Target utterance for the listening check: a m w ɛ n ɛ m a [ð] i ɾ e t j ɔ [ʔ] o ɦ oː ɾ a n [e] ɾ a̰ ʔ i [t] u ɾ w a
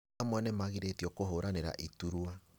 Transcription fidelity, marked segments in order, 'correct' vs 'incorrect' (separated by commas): incorrect, incorrect, correct, correct